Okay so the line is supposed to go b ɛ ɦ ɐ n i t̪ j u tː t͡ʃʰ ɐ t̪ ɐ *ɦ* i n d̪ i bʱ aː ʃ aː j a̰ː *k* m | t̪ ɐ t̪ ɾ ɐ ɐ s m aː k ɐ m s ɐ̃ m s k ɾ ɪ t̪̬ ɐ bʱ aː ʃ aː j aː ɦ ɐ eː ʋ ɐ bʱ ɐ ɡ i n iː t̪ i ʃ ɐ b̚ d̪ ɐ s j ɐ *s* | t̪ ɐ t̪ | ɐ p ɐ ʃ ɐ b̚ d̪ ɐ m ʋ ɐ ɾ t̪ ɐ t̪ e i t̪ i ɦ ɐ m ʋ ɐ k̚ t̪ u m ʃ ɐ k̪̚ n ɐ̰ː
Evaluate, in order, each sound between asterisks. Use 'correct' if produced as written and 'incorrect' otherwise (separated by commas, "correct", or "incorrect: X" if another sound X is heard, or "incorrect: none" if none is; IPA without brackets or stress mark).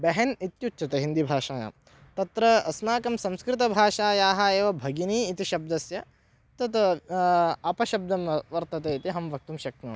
correct, incorrect: none, incorrect: none